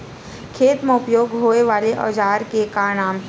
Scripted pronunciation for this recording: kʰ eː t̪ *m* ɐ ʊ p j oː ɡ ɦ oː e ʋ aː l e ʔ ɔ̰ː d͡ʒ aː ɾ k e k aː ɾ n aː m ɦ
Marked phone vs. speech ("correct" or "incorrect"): correct